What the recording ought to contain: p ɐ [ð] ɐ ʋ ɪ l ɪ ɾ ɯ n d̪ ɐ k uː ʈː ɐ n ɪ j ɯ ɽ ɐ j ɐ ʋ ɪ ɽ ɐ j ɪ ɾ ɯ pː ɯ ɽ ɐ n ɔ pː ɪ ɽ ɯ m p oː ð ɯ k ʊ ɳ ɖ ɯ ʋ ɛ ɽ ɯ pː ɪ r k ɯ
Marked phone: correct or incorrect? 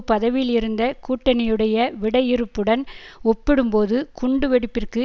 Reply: correct